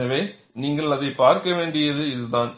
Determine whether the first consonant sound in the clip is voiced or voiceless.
voiced